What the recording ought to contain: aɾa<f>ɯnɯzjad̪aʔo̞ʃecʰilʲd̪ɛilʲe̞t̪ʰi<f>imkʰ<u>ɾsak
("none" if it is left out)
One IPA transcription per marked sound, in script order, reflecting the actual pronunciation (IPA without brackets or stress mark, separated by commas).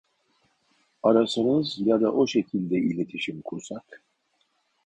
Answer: s, ʃ, u